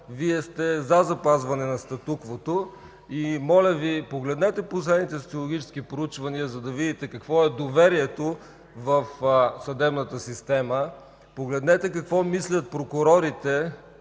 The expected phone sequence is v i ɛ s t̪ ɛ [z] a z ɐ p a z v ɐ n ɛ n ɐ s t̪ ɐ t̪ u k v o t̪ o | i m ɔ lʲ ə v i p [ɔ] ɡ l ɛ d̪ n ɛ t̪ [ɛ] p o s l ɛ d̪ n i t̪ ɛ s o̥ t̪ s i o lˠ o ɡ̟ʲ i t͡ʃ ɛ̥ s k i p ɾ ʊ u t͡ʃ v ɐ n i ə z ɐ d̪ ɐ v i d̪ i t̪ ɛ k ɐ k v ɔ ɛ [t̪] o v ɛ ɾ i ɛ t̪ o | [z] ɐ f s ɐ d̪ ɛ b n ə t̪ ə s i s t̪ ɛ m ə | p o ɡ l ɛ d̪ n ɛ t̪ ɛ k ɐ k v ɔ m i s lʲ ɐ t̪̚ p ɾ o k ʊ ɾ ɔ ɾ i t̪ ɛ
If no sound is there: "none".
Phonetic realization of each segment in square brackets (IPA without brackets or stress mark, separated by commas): z, o, ɛ, d̪, v